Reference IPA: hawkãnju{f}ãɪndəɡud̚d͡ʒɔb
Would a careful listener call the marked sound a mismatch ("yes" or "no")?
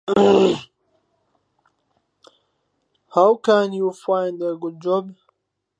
no